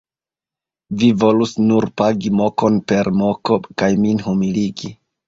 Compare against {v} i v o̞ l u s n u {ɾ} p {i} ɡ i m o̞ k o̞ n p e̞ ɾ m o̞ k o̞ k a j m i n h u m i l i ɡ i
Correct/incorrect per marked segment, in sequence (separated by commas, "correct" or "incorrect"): correct, correct, incorrect